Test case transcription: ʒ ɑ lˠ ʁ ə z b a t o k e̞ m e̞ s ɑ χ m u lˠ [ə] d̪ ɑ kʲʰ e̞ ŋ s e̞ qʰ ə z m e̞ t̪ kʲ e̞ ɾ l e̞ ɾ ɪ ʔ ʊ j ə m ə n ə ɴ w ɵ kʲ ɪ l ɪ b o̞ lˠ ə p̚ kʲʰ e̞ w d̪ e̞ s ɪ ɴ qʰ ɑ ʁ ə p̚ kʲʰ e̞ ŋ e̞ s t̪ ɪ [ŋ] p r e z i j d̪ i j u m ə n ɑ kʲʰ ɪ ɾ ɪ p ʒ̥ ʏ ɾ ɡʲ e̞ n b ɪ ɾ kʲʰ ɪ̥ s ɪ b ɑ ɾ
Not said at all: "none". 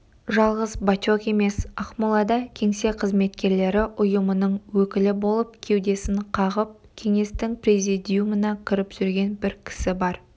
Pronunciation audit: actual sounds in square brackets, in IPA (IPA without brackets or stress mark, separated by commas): ɑ, ŋ